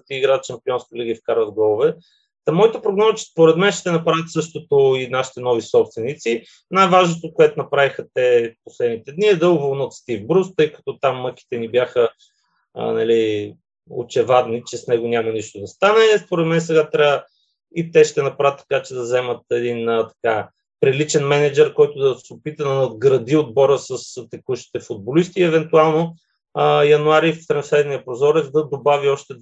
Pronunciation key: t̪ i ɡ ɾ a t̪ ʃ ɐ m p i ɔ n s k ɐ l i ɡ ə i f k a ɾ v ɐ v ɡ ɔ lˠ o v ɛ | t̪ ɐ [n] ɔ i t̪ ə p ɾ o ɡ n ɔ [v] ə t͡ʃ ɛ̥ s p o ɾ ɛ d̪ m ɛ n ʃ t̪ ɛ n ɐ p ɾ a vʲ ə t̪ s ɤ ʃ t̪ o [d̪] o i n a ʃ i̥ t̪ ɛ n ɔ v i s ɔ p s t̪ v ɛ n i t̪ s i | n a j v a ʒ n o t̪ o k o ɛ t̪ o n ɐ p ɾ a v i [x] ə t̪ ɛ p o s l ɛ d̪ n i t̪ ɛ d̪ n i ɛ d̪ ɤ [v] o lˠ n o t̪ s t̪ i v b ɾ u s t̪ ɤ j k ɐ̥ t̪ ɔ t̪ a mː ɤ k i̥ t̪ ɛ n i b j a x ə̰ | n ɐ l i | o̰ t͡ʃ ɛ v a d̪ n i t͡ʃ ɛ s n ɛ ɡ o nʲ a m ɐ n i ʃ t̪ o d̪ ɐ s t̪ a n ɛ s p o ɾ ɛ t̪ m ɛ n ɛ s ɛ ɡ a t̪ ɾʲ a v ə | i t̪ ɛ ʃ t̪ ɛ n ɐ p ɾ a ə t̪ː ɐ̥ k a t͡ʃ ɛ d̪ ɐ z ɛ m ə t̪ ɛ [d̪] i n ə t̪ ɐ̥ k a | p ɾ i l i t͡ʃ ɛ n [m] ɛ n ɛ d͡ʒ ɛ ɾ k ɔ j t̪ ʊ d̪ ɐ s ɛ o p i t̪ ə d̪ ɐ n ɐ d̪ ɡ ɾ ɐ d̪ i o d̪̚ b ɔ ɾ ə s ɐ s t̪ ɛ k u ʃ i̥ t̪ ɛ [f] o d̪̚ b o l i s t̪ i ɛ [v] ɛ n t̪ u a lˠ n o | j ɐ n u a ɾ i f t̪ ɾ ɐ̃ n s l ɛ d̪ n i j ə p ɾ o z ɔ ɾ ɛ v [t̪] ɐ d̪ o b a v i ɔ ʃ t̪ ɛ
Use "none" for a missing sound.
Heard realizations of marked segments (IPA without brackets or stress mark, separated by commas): m, z, t̪, x, v, d̪, m, f, v, d̪